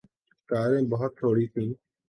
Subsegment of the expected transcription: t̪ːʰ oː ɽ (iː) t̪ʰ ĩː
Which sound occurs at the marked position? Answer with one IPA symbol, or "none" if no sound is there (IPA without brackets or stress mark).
iː